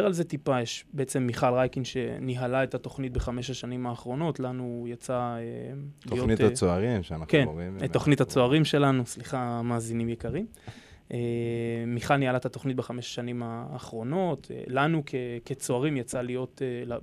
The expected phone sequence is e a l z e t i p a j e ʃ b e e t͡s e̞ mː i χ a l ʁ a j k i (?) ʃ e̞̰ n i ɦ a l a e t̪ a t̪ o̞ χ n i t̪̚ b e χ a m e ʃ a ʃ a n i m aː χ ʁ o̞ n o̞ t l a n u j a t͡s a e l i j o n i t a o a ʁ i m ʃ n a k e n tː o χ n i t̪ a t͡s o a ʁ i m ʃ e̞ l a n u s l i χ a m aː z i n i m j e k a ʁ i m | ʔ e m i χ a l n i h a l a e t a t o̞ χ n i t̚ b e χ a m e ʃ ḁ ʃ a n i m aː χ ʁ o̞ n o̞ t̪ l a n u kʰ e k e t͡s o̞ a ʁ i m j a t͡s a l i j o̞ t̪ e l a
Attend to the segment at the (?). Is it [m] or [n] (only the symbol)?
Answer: n